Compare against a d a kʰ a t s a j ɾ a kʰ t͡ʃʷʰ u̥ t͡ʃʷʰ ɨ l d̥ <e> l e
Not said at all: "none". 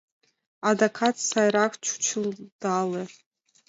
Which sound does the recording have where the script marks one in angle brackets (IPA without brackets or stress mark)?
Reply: a